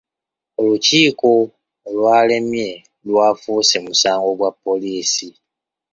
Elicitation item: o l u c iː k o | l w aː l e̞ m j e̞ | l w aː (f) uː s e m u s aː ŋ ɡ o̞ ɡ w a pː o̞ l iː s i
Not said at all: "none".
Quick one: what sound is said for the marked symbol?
f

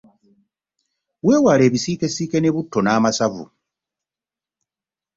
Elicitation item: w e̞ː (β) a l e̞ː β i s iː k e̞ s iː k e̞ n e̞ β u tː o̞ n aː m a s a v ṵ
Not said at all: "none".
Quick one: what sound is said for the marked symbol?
w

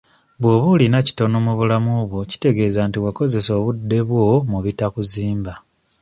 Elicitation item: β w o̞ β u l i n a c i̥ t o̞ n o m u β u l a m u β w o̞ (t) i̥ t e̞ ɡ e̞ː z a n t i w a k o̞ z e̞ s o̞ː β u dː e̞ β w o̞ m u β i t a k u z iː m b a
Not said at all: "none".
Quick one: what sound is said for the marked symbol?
c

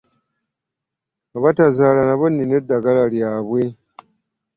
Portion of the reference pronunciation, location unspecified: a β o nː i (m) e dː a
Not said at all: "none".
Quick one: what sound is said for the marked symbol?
n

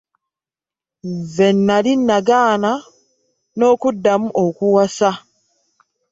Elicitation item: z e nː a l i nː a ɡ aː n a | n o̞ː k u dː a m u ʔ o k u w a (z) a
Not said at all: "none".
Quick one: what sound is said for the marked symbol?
s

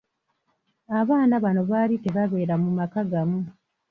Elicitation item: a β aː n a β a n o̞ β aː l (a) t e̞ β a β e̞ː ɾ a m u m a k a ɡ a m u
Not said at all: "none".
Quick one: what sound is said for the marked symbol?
i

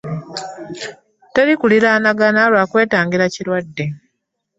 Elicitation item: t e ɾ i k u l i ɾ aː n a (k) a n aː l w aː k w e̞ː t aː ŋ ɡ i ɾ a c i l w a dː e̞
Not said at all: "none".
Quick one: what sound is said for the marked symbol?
ɡ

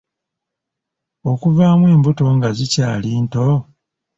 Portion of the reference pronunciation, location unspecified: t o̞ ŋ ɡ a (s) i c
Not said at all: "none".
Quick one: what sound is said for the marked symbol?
z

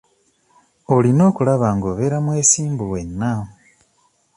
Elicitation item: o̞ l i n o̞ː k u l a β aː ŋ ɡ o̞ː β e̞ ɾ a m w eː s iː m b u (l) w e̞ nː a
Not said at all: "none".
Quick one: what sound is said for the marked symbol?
none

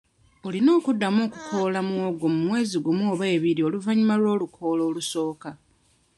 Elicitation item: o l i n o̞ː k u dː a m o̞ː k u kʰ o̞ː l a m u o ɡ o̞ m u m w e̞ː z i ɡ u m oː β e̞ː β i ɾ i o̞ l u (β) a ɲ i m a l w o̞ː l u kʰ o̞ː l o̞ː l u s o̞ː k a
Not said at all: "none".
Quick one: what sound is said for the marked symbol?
v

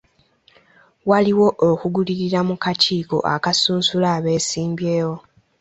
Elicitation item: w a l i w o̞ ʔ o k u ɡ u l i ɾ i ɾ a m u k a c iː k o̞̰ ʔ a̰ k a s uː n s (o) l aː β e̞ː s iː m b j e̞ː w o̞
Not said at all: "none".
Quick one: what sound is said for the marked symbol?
u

